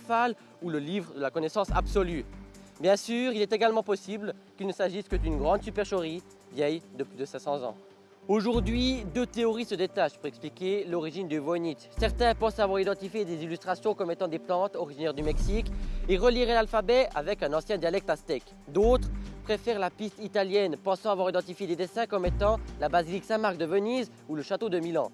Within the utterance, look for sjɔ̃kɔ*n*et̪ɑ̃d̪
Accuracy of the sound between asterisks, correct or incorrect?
incorrect: m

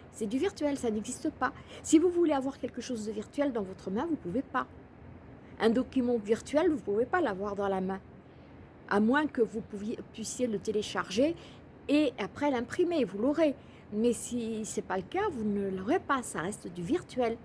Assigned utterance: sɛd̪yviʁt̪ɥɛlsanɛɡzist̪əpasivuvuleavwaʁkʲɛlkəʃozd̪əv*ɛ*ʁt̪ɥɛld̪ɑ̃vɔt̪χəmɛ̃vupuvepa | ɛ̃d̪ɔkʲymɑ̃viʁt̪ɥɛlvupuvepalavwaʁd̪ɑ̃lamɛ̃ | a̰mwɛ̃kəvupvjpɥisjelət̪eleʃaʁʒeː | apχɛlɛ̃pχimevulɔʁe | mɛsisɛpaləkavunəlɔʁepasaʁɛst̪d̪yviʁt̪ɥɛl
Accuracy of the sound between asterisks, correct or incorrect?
incorrect: i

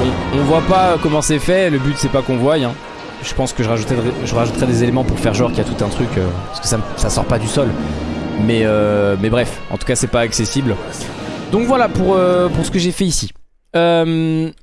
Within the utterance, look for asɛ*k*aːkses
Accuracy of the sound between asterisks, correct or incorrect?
incorrect: p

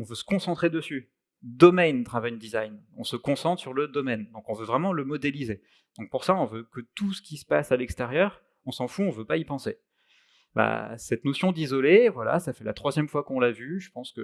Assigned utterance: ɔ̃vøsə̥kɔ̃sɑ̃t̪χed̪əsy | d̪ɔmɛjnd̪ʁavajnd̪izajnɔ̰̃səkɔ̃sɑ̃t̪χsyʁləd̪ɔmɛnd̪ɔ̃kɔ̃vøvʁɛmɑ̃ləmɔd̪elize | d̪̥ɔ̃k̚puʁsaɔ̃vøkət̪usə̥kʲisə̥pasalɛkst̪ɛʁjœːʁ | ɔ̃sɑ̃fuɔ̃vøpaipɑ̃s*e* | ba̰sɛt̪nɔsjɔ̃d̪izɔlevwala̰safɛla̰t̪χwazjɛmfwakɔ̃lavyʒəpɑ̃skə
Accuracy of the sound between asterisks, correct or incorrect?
correct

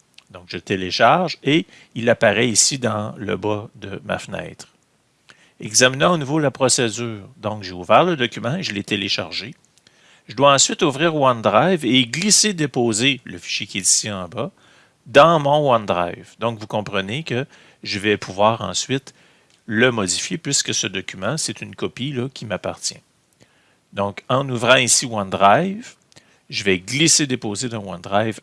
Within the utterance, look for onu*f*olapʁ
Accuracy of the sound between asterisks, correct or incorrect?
incorrect: v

